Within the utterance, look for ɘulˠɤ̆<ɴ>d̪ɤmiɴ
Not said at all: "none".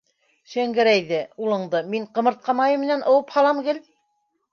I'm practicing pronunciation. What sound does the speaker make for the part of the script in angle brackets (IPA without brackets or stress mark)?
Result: ɴ